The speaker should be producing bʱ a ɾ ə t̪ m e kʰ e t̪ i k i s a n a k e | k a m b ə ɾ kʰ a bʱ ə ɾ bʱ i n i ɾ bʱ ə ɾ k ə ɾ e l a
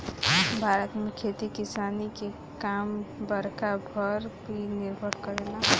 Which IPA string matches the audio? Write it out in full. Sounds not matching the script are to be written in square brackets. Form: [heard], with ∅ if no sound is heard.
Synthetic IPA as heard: bʱ a ɾ ə t̪ m e kʰ e t̪ i k i s a n [i] k e | k a m b ə ɾ [k] a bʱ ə ɾ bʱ i n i ɾ bʱ ə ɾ k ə ɾ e l a

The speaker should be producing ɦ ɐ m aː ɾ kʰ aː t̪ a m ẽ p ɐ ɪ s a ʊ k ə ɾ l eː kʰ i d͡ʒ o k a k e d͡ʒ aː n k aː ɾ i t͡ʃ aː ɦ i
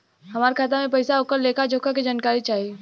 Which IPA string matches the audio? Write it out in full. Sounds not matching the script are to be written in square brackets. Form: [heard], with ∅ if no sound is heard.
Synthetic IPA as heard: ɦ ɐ m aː ɾ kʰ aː t̪ a m ẽ p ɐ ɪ s a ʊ k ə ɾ l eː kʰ [a] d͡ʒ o k a k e d͡ʒ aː n k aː ɾ i t͡ʃ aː ɦ i

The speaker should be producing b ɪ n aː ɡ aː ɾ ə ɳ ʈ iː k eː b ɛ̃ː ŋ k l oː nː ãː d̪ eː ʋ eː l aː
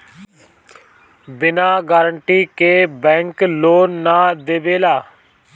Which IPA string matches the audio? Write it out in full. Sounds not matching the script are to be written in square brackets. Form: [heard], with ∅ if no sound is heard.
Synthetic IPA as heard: b ɪ n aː ɡ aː ɾ ə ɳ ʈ iː k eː b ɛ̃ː ŋ k l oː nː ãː d̪ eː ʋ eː l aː

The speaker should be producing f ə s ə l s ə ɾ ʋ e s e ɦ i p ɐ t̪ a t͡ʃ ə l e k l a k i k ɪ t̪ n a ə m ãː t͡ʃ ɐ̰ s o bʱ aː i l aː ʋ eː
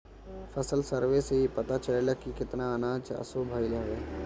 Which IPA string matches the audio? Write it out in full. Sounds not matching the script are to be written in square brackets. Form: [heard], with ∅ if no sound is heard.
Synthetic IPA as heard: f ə s ə l s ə ɾ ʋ e s e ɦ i p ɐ t̪ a t͡ʃ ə l e [∅] l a k i k ɪ t̪ n a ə [n] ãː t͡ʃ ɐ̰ s o bʱ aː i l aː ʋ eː

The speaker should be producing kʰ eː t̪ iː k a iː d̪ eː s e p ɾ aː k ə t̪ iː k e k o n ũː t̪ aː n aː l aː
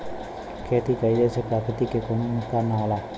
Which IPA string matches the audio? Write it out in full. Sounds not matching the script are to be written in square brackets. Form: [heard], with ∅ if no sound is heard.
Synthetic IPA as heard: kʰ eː t̪ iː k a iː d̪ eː s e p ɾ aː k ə t̪ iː k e k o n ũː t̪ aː n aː l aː

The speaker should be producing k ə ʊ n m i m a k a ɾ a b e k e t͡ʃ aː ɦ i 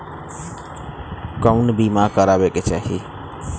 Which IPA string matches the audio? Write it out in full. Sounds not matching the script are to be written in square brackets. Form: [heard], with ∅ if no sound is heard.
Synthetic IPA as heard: k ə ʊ n [b] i m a k [ə] ɾ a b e k e t͡ʃ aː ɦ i

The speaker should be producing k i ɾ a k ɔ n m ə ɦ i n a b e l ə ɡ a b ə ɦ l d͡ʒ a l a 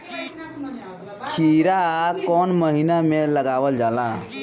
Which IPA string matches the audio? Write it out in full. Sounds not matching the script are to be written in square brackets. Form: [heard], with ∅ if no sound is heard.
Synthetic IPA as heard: [kʰ] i ɾ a k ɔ n m ə ɦ i n a [m] e l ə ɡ a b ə [∅] l d͡ʒ a l a

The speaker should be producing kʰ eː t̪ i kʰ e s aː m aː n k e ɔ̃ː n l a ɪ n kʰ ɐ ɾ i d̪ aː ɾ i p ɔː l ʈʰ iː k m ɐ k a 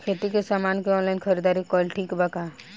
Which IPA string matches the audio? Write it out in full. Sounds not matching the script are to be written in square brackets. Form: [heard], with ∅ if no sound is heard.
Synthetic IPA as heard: kʰ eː t̪ i [k] e s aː m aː n k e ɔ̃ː n l a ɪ n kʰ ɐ ɾ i d̪ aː ɾ i [k] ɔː l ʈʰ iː k [b] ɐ k a

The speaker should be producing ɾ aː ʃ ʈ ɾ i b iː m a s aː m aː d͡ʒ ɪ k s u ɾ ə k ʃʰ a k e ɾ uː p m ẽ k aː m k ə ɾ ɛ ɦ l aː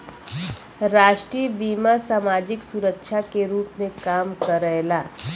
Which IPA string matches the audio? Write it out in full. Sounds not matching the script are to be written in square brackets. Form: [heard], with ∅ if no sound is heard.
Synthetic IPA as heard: ɾ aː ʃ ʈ ɾ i b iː m a s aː m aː d͡ʒ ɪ k s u ɾ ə k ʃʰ a k e ɾ uː p m ẽ k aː m k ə ɾ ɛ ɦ l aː

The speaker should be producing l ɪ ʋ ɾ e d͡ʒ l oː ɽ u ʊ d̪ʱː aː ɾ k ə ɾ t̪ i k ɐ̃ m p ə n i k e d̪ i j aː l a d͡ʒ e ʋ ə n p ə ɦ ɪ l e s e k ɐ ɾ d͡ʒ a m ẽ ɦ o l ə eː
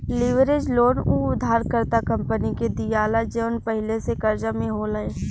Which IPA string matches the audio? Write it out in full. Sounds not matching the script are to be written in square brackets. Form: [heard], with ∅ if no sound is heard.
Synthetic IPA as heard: l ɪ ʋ ɾ e d͡ʒ l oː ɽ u ʊ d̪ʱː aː ɾ k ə ɾ t̪ [a] k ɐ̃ m p ə n i k e d̪ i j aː l a d͡ʒ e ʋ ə n p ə ɦ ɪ l e s e k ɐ ɾ d͡ʒ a m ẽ ɦ o l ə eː

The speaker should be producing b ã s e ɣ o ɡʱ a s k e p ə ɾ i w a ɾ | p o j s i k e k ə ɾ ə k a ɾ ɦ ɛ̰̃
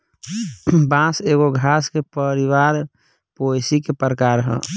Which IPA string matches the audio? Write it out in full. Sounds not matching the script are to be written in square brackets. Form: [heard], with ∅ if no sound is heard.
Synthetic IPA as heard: b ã s e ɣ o ɡʱ a s k e p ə ɾ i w a ɾ | p o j s i k e [p] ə ɾ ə k a ɾ ɦ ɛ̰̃

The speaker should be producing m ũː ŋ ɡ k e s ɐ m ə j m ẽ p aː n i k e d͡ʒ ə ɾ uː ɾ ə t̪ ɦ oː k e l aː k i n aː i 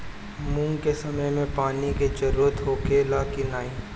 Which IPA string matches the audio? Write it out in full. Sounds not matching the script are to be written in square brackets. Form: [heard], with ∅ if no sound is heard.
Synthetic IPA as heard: m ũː ŋ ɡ k e s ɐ m ə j m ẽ p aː n i k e d͡ʒ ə ɾ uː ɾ ə t̪ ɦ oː k e l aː k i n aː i

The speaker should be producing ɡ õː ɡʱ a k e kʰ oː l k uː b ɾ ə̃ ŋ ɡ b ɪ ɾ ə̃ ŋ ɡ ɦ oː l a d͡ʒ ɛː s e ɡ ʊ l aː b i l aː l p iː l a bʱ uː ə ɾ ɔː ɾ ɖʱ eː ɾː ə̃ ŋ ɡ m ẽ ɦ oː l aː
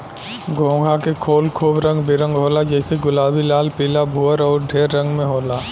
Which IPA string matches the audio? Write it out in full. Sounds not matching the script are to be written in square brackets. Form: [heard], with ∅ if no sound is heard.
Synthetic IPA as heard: ɡ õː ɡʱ a k e kʰ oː l [kʰ] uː b ɾ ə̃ ŋ ɡ b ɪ ɾ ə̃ ŋ ɡ ɦ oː l a d͡ʒ ɛː s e ɡ ʊ l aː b i l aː l p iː l a bʱ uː ə ɾ ɔː ɾ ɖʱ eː ɾː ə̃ ŋ ɡ m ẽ ɦ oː l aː

